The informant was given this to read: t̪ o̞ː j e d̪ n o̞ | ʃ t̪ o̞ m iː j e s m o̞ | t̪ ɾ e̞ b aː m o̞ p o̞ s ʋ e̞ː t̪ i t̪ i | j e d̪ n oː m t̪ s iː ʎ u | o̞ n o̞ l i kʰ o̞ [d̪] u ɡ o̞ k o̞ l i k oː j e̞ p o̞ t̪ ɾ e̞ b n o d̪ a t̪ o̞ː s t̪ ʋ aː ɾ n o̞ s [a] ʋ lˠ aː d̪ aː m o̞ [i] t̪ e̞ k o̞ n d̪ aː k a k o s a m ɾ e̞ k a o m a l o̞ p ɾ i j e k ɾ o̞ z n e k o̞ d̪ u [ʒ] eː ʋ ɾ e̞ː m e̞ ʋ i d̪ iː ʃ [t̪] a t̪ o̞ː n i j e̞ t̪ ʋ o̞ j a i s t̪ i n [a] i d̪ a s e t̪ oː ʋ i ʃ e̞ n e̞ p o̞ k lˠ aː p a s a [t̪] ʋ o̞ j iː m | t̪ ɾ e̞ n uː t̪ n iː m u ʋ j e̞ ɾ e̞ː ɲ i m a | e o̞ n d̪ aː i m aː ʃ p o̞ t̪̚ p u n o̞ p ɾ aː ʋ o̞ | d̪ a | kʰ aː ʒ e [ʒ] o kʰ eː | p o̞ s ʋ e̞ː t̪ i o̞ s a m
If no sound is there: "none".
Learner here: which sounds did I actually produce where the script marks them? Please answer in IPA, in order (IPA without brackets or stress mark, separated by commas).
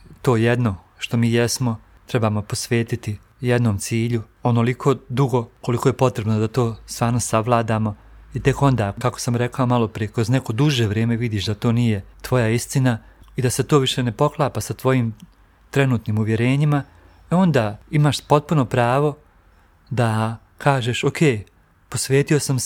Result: d̪, a, i, ʒ, d̪, a, t̪, ʃ